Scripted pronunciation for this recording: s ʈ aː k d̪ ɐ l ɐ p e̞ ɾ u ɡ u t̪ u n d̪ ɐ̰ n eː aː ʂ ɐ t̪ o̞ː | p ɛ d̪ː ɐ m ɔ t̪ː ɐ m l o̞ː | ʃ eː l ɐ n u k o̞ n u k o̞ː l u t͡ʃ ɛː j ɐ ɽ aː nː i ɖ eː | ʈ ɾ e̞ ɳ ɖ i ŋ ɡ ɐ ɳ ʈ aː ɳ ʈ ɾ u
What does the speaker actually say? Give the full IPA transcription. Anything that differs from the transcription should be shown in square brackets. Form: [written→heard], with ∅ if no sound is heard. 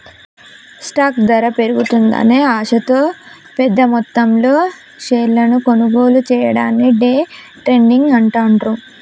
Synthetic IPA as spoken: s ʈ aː k d̪ ɐ [l→ɾ] ɐ p e̞ ɾ u ɡ u t̪ u n d̪ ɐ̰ n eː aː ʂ ɐ t̪ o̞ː | p ɛ d̪ː ɐ m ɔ t̪ː ɐ m l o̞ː | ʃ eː l ɐ n u k o̞ n u [k→ɡ] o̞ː l u t͡ʃ ɛː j ɐ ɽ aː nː i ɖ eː | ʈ ɾ e̞ ɳ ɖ i ŋ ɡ ɐ ɳ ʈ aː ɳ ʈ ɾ u